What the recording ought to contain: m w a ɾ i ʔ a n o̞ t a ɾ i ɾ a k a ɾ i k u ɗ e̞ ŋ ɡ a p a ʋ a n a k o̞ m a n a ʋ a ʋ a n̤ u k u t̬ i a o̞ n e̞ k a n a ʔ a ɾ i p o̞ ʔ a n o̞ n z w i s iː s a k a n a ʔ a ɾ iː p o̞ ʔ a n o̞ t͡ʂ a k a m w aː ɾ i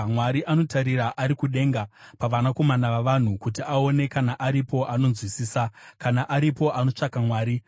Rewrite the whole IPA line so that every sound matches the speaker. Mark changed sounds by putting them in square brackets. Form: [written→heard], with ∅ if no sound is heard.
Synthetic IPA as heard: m w a ɾ i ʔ a n o̞ t a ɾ i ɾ a [k→ʔ] a ɾ i k u ɗ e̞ ŋ ɡ a p a ʋ a n a k o̞ m a n a ʋ a ʋ a n̤ u k u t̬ i a o̞ n e̞ k a n a ʔ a ɾ i p o̞ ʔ a n o̞ n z w i s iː s a k a n a ʔ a ɾ [iː→i] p o̞ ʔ a n o̞ t͡ʂ a k a m w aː ɾ i

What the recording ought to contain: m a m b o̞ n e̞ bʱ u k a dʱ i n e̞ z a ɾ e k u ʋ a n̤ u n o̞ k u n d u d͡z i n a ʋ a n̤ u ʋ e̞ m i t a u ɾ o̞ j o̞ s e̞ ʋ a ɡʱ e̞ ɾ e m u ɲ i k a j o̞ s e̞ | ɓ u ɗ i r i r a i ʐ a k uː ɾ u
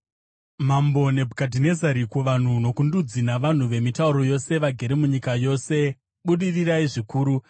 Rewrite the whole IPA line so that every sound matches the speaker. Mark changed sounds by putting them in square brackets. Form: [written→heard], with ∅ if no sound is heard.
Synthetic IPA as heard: m a m b o̞ n e̞ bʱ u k a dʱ i n e̞ z a ɾ [e→i] k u ʋ a n̤ u n o̞ k u n d u d͡z i n a ʋ a n̤ u ʋ e̞ m i t a u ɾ o̞ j o̞ s e̞ ʋ a ɡʱ e̞ ɾ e m u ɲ i k a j o̞ s e̞ | ɓ u ɗ i r i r a i ʐ [a→i] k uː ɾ u

